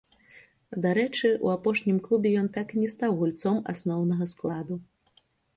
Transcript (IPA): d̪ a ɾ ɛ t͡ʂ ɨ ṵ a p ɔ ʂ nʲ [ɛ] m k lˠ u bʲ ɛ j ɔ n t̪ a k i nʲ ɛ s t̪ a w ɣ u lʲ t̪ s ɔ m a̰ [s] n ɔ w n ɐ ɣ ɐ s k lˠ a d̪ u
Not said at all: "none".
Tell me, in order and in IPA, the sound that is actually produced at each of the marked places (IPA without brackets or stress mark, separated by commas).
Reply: i, s